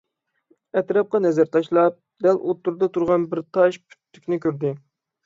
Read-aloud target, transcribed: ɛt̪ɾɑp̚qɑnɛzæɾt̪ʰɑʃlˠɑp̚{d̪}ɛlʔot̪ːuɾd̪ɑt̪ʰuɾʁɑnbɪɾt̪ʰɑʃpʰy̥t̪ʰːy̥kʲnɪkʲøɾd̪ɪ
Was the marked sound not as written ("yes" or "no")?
no